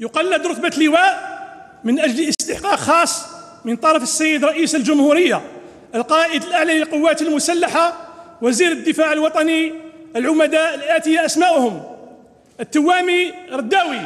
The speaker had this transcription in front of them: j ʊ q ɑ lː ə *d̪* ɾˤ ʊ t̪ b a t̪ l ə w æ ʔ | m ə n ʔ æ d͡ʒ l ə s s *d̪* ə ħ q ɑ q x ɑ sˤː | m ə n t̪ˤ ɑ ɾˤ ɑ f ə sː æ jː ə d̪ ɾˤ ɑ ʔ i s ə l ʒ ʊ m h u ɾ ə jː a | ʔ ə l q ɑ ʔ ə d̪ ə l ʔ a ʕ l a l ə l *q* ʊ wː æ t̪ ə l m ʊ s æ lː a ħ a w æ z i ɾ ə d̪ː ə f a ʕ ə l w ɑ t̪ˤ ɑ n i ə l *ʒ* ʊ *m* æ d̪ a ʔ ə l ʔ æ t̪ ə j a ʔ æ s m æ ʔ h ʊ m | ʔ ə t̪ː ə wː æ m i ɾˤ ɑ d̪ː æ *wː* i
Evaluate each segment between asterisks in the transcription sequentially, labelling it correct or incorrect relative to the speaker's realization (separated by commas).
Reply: correct, incorrect, correct, incorrect, correct, incorrect